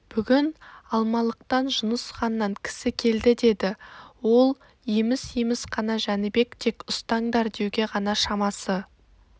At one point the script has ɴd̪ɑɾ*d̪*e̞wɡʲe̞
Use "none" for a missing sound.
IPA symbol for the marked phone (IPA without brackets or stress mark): d̪